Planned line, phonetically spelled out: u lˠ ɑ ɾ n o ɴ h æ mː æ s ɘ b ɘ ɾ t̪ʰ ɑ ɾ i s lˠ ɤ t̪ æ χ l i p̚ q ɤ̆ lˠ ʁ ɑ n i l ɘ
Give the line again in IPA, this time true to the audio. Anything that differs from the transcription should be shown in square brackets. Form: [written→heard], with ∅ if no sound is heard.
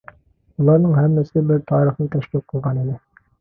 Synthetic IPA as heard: u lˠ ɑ ɾ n [o→ɤ] ɴ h æ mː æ s ɘ b ɘ ɾ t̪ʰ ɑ ɾ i [s→χ] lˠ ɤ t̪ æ [χ→ʃ] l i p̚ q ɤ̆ lˠ ʁ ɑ n i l ɘ